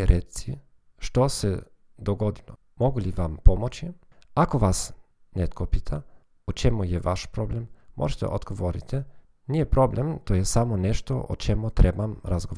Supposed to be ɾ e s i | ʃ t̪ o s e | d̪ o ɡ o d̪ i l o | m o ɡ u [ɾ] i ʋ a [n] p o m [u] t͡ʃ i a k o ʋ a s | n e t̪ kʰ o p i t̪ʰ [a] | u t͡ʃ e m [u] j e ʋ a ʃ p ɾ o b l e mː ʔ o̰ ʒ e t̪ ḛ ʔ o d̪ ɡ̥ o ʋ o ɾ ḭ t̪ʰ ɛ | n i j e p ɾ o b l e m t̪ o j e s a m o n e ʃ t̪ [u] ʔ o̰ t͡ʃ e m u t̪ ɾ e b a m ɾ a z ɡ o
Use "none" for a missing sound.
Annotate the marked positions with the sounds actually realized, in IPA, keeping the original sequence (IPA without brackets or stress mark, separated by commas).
l, m, o, a, u, o